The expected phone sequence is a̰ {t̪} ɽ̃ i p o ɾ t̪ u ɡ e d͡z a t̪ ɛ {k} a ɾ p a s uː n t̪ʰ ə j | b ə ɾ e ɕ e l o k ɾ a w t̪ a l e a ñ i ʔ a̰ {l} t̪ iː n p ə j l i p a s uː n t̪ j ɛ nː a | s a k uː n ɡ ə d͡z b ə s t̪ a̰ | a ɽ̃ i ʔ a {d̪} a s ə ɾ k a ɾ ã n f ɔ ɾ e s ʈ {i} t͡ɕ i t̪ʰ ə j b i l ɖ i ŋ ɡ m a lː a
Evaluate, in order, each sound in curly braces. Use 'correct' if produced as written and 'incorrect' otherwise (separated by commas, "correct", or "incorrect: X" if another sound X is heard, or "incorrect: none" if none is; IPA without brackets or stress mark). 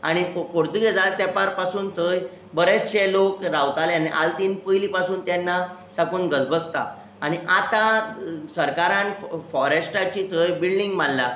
incorrect: none, incorrect: p, correct, incorrect: t̪, incorrect: a